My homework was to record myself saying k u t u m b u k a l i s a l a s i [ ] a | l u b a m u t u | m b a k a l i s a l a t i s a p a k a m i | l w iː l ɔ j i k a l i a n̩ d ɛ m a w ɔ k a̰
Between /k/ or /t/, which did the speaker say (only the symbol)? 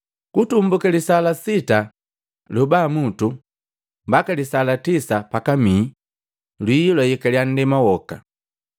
t